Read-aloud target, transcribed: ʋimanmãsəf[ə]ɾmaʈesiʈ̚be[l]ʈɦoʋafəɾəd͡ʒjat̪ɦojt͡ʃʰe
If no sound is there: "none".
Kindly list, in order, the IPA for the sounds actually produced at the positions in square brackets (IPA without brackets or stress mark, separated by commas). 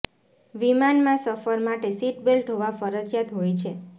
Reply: ə, l